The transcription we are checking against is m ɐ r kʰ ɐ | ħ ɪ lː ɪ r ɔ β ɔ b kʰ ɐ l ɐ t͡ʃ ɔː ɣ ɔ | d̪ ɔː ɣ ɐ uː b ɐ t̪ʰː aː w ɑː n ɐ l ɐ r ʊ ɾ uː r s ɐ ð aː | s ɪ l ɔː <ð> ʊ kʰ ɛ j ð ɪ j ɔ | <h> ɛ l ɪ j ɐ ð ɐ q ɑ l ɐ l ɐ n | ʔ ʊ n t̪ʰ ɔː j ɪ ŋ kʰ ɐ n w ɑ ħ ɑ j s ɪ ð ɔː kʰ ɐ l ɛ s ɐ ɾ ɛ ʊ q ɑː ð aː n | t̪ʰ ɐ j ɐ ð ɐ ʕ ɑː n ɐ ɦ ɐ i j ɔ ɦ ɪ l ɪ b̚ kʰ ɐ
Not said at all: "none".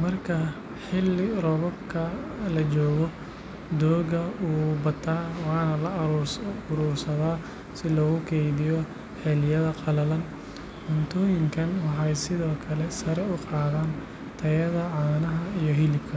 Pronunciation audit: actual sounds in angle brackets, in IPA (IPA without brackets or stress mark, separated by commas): ɣ, ħ